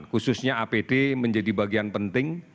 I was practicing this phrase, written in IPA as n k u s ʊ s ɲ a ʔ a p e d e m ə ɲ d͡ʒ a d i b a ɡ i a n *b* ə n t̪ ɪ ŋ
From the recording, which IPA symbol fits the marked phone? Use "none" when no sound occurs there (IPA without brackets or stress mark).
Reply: p